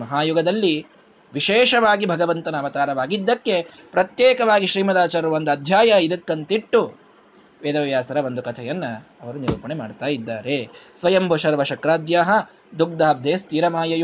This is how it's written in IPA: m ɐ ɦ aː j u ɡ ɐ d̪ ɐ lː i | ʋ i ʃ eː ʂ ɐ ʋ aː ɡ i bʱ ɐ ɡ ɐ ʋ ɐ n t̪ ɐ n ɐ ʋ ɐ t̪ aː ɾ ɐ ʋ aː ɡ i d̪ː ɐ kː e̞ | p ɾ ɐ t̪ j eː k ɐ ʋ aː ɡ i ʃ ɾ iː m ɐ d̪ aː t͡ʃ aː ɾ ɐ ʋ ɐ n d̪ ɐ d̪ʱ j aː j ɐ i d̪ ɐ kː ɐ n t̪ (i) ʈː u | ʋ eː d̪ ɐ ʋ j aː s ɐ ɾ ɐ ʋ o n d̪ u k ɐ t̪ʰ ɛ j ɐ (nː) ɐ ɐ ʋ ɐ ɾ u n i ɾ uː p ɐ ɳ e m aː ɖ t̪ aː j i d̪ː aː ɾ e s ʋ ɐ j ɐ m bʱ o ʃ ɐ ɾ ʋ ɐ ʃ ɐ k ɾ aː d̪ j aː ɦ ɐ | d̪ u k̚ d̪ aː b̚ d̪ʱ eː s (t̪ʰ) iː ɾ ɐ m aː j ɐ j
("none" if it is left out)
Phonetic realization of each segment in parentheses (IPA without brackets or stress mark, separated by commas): i, nː, t̪